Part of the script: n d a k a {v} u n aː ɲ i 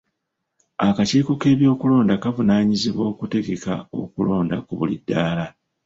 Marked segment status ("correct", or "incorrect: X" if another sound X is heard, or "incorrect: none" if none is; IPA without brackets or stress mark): correct